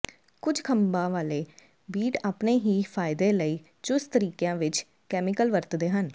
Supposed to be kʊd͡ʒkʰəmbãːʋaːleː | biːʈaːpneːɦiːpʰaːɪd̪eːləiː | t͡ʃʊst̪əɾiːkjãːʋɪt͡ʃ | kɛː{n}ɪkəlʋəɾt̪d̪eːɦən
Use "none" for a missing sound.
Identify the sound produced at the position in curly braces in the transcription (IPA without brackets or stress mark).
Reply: m